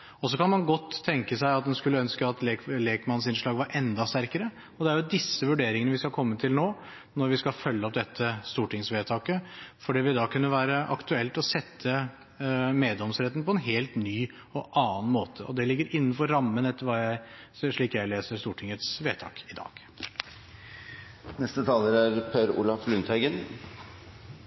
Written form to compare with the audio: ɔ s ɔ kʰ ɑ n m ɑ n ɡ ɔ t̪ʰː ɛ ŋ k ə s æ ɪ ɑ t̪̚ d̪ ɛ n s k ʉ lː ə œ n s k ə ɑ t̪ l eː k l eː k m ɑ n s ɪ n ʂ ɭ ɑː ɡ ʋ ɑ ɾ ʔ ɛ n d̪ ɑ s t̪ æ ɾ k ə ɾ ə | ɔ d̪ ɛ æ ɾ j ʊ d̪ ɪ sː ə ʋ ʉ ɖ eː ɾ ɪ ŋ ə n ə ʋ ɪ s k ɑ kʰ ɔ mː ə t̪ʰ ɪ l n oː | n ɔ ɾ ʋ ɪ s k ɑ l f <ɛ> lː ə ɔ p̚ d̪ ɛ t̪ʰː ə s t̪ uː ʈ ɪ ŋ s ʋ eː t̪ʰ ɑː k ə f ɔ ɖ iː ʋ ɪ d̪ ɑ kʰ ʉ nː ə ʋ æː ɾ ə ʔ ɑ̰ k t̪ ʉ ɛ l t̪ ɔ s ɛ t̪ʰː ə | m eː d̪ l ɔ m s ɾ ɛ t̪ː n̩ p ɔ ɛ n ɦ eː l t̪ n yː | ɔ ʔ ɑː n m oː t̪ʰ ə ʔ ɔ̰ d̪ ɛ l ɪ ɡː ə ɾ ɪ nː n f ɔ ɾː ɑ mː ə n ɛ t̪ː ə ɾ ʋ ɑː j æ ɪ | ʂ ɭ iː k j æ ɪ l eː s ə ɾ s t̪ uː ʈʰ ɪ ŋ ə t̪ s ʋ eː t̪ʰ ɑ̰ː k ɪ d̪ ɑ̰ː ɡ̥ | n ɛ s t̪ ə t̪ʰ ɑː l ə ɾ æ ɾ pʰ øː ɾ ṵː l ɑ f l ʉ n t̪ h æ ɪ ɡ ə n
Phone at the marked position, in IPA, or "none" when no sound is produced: œ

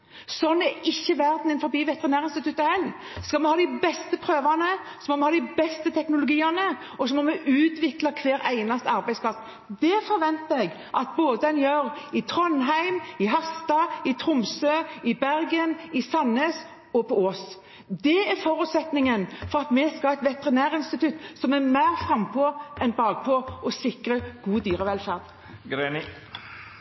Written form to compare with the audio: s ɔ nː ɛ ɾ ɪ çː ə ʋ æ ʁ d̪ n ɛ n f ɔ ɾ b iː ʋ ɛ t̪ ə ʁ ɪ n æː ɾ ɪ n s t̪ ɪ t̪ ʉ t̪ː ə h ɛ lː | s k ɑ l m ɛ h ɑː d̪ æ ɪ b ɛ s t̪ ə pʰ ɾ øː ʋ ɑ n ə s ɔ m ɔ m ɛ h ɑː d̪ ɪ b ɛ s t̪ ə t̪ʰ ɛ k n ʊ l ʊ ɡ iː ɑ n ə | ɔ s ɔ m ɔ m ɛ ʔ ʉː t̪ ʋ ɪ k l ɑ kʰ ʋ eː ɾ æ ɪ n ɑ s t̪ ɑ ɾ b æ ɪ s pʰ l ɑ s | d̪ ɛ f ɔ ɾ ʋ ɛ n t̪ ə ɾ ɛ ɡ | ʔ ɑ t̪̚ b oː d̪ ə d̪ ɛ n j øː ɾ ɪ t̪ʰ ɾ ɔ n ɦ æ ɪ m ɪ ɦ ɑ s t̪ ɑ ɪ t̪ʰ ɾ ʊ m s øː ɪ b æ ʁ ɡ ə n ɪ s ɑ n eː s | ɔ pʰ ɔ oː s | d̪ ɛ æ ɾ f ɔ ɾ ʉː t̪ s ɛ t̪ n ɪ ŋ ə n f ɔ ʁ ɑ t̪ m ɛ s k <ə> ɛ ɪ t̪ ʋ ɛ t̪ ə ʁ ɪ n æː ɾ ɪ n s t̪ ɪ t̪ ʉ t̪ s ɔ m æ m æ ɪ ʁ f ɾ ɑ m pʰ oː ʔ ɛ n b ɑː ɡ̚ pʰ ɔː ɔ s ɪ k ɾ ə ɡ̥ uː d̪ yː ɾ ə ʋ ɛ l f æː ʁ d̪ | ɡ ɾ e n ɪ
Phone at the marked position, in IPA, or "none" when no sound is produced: ɑ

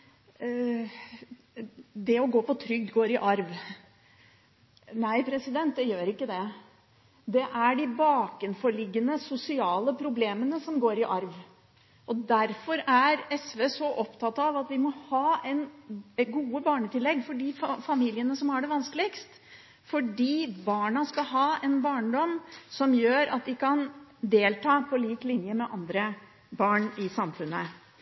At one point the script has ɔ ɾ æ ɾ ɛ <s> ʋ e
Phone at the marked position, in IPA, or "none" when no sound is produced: s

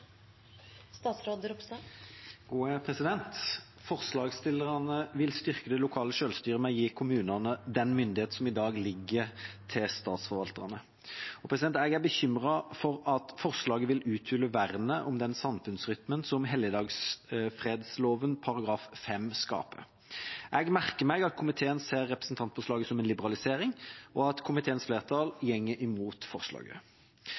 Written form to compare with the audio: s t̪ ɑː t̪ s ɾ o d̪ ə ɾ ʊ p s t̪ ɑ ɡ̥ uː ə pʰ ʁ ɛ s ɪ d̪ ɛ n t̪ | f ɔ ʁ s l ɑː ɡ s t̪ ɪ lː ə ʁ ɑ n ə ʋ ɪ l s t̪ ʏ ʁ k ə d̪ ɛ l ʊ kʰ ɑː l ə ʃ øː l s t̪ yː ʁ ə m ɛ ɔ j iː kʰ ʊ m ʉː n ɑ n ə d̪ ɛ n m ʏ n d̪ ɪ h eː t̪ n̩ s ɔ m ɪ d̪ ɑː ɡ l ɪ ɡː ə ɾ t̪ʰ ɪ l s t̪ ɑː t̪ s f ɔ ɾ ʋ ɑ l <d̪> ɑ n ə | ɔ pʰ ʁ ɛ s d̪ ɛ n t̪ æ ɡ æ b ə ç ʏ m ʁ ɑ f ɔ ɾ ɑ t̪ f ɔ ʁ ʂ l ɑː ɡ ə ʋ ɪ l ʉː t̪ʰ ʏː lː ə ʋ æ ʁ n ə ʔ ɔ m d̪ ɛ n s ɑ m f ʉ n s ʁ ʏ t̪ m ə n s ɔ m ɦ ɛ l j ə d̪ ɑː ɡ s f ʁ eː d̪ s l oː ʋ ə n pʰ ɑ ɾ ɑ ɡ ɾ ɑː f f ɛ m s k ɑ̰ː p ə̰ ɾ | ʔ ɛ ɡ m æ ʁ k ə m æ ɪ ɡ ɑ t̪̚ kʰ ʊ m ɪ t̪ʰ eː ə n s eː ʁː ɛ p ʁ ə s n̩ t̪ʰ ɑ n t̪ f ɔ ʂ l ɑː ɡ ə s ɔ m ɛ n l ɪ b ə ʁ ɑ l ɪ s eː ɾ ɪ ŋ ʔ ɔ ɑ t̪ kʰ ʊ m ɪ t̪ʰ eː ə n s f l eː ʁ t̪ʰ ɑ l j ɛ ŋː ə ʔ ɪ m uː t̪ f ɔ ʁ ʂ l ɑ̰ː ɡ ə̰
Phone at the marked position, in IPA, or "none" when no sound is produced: t̪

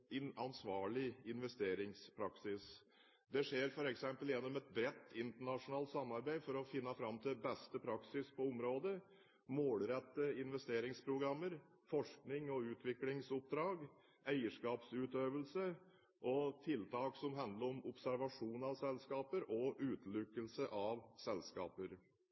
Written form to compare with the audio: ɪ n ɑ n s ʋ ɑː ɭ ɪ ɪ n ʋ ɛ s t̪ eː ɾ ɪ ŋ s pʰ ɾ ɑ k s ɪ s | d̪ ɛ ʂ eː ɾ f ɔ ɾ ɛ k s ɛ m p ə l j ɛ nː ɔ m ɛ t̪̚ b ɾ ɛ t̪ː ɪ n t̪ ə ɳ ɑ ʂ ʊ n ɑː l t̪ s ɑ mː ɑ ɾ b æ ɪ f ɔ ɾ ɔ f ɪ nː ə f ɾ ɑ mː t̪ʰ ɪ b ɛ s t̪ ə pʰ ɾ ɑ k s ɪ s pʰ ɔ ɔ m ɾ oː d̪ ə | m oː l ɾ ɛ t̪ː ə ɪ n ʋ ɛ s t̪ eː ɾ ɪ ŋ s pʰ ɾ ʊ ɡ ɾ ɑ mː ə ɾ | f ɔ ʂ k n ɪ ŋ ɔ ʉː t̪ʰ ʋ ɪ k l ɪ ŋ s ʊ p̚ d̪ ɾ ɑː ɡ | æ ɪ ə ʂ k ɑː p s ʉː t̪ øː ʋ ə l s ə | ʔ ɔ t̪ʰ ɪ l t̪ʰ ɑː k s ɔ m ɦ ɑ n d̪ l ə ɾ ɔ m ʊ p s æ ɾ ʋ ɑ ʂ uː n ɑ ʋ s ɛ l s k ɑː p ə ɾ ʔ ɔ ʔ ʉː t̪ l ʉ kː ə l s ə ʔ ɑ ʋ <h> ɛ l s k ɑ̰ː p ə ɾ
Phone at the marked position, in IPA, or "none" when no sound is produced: s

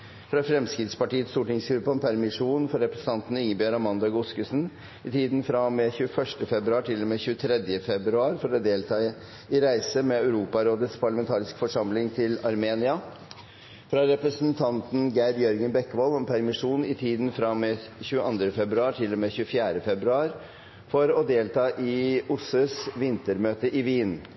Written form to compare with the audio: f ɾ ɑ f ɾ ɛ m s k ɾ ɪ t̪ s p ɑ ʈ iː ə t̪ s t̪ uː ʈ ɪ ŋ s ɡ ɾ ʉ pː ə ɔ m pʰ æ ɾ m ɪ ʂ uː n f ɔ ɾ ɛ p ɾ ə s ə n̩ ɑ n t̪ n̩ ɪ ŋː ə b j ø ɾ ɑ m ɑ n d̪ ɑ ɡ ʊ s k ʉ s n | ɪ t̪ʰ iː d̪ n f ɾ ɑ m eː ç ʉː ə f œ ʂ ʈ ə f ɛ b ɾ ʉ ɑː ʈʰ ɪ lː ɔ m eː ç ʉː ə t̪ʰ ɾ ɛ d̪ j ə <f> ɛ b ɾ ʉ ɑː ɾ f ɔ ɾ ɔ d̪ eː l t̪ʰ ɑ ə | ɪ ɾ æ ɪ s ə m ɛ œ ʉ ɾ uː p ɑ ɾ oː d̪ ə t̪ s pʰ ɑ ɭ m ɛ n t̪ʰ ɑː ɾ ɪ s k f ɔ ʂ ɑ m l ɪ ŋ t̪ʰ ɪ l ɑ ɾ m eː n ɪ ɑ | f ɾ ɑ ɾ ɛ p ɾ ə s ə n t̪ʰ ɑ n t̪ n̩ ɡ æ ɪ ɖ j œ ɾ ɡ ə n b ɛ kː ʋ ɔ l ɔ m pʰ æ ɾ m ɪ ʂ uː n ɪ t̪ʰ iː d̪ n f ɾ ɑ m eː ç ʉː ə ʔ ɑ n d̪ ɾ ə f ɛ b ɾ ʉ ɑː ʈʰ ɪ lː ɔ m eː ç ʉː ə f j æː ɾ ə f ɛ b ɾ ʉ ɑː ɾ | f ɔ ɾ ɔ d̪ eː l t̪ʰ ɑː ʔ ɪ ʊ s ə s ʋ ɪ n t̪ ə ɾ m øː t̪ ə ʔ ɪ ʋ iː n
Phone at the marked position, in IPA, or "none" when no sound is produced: f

